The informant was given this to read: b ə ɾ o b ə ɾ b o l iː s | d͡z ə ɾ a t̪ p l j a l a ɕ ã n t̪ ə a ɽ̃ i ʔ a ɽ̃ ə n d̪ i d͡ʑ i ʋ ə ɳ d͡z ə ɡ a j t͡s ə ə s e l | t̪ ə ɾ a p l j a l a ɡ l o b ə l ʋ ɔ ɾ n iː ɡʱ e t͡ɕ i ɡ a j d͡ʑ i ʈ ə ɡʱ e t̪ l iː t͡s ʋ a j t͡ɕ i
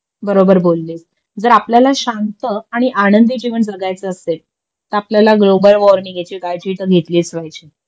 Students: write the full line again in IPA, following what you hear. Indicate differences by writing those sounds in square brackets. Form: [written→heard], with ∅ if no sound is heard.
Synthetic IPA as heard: b ə ɾ o b ə ɾ b o [l→lː] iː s | d͡z ə ɾ a [t̪→∅] p l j a l a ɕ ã n t̪ ə a ɽ̃ i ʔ a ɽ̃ ə n d̪ i d͡ʑ i ʋ ə ɳ d͡z ə ɡ a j t͡s ə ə s e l | t̪ ə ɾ a p l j a l a ɡ l o b ə l ʋ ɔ ɾ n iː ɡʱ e t͡ɕ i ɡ a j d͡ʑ i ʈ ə ɡʱ e t̪ l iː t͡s ʋ a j t͡ɕ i